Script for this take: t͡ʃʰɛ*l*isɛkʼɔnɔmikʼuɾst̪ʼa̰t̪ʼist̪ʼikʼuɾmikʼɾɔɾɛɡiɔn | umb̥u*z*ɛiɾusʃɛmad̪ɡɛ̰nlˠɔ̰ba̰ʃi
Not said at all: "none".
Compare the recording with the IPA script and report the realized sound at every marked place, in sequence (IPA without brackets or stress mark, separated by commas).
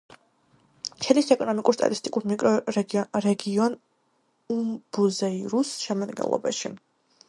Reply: l, z